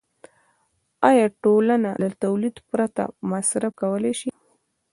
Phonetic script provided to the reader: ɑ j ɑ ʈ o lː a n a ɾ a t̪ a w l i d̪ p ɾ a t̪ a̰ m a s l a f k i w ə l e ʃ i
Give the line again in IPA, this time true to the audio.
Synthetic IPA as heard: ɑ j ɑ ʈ o l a n a l a t̪ a w l i d̪ p ɾ a t̪ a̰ m a s ɾ a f k a w ə l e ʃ i